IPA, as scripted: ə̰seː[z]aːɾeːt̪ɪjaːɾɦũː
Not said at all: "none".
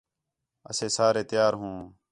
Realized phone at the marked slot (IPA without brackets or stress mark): s